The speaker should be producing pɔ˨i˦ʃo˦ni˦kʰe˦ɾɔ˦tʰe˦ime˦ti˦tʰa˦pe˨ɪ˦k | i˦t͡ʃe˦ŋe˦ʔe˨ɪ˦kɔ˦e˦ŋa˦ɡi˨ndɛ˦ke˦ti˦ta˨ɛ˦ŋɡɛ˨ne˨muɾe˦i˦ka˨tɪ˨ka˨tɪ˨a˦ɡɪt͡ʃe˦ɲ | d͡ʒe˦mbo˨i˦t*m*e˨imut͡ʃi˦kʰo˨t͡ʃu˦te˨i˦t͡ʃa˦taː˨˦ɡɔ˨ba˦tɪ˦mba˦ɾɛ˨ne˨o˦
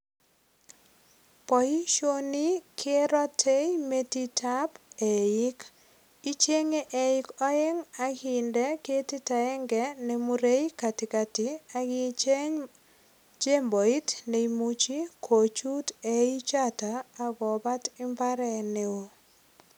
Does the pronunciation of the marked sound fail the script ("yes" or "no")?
yes